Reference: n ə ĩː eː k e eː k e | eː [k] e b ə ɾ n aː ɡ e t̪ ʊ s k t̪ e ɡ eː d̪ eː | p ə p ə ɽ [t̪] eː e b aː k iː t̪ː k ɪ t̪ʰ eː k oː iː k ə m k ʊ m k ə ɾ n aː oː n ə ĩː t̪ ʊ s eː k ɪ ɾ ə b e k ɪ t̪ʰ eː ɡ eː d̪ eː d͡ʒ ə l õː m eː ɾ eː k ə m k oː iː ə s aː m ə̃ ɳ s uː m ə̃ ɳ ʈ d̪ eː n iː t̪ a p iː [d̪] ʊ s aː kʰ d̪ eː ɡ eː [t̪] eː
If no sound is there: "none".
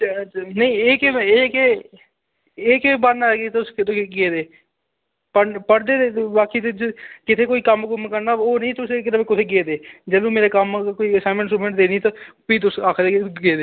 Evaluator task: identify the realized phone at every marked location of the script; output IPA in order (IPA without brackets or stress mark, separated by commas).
k, d̪, t̪, d̪